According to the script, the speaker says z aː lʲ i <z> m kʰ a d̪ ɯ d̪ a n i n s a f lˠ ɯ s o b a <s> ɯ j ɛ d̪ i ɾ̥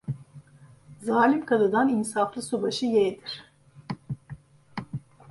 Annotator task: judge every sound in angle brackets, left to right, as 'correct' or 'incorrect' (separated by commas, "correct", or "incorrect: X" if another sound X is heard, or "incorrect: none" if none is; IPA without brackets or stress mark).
incorrect: none, incorrect: ʃ